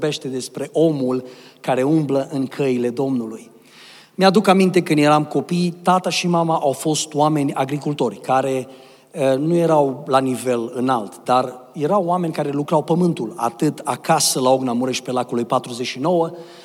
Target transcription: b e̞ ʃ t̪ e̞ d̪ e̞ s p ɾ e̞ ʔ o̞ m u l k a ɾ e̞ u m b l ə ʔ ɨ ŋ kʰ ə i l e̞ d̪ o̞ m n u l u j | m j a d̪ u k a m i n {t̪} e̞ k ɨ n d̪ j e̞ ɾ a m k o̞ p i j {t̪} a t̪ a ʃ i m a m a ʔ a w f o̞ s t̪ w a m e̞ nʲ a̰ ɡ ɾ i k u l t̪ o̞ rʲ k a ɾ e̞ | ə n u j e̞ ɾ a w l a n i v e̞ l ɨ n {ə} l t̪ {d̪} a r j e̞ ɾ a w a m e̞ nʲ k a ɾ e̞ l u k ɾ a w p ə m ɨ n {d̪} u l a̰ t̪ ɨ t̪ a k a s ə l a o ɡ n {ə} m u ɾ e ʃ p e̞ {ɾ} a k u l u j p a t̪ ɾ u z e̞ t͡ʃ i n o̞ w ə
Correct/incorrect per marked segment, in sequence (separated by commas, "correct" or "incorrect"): correct, correct, incorrect, correct, incorrect, incorrect, incorrect